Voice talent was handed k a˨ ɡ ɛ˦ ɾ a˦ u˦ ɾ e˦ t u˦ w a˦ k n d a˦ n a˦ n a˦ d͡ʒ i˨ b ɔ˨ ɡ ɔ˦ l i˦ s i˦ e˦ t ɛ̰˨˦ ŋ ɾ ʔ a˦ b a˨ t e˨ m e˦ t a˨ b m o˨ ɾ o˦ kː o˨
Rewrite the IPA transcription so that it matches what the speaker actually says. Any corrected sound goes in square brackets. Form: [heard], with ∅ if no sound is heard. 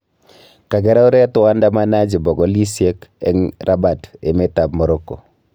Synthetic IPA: k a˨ ɡ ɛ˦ ɾ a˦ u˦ ɾ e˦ t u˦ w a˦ [∅] n d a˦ [m] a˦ n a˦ d͡ʒ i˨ b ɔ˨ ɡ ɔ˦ l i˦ s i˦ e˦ [k] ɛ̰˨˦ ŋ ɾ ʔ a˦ b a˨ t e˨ m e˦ t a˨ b m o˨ ɾ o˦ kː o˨